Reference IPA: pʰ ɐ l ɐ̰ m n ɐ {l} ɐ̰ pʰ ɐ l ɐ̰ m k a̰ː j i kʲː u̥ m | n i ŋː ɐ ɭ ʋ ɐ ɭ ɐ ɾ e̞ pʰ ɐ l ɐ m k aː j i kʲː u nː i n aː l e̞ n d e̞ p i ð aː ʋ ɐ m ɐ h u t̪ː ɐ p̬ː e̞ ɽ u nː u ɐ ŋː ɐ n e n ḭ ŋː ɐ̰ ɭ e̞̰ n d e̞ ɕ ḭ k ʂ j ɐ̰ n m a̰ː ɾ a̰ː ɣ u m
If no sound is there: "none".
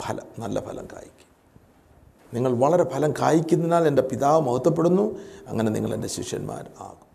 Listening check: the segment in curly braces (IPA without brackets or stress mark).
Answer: lː